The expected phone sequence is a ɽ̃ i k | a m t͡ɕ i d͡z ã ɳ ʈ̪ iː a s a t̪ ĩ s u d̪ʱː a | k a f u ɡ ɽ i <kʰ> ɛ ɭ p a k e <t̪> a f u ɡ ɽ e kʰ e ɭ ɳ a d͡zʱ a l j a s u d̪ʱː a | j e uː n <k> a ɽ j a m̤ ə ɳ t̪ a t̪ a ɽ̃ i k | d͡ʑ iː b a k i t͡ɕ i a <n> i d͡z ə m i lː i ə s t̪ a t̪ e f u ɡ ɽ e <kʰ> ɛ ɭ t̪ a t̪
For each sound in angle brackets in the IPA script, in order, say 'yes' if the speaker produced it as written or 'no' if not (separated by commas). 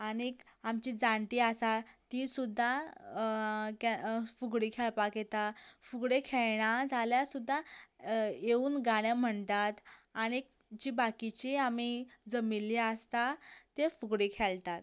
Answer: yes, yes, no, no, yes